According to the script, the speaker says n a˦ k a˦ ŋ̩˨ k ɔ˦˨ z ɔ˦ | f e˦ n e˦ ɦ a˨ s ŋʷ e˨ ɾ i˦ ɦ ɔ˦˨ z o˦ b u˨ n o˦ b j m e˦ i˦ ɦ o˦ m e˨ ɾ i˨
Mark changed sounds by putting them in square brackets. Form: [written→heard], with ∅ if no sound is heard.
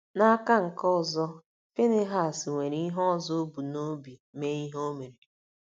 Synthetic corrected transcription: n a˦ k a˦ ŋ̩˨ k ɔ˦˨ z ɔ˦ | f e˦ n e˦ ɦ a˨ s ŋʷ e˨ ɾ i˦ ɦ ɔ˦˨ z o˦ b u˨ n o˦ b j m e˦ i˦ ɦ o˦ m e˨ ɾ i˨